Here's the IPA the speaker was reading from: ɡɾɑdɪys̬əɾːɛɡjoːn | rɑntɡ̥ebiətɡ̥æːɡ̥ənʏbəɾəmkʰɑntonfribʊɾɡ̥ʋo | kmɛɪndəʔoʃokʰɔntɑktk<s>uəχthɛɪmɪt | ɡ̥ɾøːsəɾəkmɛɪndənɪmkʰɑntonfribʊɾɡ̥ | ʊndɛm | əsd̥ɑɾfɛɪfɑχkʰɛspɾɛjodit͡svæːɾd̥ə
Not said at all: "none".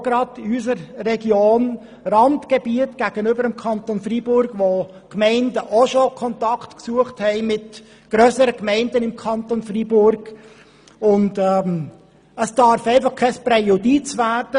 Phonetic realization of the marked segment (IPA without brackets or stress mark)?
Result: s